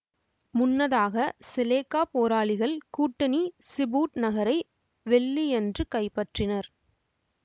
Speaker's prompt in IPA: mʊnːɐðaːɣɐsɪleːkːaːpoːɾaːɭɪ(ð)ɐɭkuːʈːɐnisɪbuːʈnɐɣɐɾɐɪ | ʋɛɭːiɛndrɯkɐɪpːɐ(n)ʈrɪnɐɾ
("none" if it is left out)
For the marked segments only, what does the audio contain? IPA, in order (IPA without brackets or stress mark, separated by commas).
ɣ, none